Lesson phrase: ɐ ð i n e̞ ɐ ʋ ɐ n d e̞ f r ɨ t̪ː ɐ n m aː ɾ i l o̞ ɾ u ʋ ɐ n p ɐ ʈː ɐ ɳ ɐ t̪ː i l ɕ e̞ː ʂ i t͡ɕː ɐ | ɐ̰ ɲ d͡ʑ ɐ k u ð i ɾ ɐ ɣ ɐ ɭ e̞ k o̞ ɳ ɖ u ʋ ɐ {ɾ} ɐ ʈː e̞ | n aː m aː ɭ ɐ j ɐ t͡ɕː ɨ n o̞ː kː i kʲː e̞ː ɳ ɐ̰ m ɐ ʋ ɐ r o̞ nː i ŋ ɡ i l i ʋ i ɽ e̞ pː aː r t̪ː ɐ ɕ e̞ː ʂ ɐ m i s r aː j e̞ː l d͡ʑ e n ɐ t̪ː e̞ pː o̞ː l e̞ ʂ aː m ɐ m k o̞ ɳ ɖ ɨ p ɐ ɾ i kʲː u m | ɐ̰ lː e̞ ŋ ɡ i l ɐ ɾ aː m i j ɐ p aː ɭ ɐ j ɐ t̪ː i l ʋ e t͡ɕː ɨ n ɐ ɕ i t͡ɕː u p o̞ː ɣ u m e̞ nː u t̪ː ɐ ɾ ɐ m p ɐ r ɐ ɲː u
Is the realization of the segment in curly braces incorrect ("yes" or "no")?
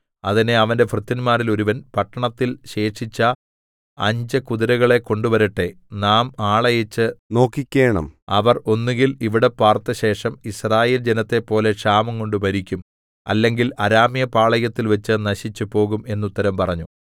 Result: no